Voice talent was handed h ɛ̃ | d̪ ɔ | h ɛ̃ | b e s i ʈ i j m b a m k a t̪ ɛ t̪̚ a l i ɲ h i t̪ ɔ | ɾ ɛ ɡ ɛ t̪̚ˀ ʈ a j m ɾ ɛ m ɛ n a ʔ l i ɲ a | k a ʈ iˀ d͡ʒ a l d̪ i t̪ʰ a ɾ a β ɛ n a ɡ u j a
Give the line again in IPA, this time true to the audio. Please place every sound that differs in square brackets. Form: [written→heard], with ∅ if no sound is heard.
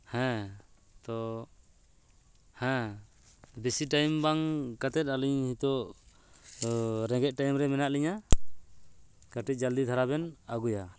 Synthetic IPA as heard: h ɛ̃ | [d̪→t̪] ɔ | h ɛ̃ | b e s i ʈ [i→a] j m b a [m→ŋ] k a t̪ ɛ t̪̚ a l i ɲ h i t̪ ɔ | ɾ ɛ ɡ ɛ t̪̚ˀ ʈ a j m ɾ ɛ m ɛ n a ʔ l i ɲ a | k a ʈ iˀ d͡ʒ a l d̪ i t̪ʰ a ɾ a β ɛ n a ɡ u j a